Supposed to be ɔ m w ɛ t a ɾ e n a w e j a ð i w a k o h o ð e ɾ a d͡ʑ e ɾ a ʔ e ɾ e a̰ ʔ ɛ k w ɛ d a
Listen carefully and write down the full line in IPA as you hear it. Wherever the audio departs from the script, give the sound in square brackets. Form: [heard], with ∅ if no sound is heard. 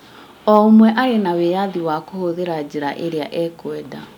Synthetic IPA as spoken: ɔ m w ɛ [ʔ] a ɾ e n a w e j a ð i w a k o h o ð e ɾ a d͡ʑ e ɾ a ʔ e ɾ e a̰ ʔ ɛ k w ɛ d a